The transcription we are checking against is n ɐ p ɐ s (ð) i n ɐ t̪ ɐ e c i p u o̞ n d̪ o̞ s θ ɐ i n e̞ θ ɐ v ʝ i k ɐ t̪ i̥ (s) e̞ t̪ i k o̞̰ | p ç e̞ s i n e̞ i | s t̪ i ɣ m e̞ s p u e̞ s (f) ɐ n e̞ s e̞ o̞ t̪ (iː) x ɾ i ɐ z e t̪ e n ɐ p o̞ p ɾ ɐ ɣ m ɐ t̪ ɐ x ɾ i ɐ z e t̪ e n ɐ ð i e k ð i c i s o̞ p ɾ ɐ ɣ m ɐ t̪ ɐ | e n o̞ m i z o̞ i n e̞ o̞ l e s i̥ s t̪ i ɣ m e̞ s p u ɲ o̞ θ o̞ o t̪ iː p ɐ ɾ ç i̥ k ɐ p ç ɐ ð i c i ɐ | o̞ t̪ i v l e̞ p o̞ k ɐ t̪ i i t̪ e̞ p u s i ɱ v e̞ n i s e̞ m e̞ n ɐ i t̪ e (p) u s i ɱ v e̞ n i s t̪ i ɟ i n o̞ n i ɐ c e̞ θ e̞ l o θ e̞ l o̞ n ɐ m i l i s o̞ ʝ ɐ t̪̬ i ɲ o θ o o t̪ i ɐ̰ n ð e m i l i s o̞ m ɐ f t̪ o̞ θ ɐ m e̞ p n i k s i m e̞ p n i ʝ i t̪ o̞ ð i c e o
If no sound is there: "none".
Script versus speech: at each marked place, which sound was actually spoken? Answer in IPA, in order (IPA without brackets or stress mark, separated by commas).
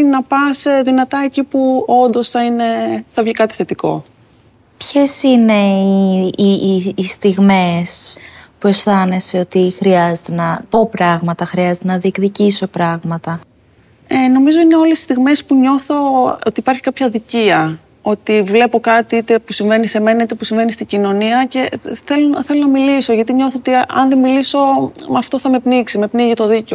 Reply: ð, θ, θ, i, p